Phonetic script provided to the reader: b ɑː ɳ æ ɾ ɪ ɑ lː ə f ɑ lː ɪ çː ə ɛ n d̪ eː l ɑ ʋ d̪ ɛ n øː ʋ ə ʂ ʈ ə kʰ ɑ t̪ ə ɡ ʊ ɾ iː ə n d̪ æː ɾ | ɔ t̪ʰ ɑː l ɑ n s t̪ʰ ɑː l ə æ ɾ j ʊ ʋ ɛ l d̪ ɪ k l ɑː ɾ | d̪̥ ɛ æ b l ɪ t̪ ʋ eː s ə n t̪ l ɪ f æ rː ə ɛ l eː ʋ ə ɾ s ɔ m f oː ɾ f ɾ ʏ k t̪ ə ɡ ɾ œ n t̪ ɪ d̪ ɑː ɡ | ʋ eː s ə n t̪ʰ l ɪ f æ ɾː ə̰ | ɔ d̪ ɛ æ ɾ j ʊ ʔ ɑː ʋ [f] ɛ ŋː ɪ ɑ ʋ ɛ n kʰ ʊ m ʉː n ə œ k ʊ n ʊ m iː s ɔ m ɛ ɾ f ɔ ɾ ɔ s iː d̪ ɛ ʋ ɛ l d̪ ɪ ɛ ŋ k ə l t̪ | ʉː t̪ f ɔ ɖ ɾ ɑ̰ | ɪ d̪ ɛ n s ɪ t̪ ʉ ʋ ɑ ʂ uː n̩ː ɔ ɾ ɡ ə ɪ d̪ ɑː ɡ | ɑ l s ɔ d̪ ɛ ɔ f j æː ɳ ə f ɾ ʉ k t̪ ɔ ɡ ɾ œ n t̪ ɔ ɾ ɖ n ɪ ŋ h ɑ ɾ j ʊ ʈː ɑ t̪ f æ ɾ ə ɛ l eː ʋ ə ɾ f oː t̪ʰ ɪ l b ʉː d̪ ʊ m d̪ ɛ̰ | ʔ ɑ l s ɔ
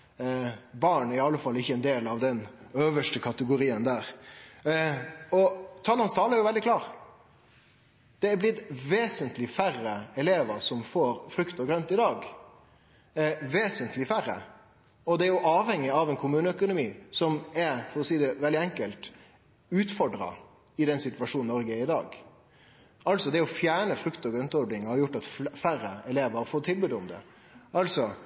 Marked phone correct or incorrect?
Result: incorrect: h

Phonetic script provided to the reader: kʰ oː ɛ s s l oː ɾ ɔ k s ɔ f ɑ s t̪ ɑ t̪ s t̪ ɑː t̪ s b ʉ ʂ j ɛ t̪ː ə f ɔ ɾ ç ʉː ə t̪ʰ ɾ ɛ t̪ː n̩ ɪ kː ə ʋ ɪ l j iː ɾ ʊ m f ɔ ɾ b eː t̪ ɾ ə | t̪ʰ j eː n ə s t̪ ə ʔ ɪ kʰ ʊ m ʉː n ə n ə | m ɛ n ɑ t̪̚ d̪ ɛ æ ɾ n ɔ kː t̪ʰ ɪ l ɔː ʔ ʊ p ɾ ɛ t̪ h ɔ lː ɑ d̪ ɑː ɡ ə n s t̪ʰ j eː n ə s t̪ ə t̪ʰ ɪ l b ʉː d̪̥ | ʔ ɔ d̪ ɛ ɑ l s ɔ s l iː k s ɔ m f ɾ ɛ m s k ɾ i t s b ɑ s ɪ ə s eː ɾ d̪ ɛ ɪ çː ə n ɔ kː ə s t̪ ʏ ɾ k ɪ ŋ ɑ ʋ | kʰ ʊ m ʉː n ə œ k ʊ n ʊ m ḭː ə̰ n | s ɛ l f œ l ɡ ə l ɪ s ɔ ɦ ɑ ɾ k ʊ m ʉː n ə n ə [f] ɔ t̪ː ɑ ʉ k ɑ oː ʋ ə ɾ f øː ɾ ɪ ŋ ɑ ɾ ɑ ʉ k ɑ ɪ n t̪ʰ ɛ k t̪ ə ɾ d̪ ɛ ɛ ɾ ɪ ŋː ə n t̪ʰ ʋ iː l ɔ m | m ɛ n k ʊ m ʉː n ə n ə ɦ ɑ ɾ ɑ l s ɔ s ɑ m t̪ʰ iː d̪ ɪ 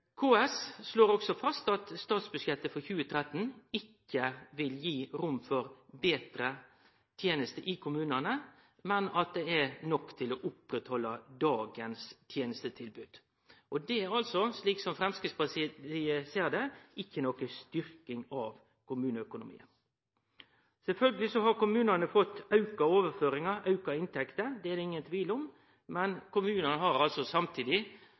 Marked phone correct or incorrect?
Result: correct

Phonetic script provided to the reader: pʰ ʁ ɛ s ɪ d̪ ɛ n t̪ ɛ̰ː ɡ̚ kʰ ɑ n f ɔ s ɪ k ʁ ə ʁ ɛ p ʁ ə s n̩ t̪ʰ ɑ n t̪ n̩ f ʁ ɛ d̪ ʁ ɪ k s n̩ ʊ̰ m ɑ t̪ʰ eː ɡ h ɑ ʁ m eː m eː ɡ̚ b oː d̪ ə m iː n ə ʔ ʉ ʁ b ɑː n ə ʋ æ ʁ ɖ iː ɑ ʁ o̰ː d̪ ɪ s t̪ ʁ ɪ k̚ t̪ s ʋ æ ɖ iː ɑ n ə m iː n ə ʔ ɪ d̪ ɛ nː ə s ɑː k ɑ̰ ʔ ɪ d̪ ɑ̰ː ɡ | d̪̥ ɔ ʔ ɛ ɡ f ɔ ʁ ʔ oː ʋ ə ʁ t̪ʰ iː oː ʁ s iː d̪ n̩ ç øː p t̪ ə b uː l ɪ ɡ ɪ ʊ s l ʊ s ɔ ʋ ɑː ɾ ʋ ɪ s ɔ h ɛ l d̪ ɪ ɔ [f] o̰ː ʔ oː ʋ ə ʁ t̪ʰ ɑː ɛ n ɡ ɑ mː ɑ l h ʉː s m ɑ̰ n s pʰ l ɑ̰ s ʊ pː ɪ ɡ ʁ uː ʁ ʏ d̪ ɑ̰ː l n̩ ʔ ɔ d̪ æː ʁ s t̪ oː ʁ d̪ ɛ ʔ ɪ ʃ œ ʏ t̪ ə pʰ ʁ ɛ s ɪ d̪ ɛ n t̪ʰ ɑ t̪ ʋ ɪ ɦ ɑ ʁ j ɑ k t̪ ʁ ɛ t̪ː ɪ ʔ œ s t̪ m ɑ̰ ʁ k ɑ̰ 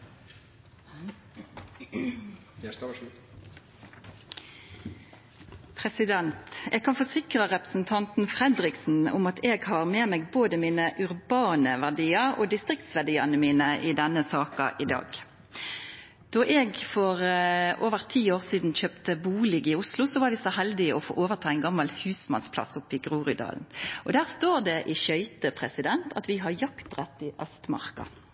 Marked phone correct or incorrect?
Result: correct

